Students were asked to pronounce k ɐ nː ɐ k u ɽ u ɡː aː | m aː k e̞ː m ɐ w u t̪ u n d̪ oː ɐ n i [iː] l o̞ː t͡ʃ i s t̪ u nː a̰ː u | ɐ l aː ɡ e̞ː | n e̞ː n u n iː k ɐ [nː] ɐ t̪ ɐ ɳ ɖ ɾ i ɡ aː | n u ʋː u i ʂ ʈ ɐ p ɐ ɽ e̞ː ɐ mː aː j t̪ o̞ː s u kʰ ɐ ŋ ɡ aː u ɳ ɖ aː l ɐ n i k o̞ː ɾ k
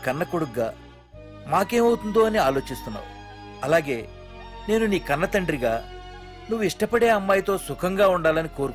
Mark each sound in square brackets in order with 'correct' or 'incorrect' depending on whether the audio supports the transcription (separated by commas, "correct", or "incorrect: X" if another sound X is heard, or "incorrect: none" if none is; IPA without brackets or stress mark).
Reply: incorrect: aː, correct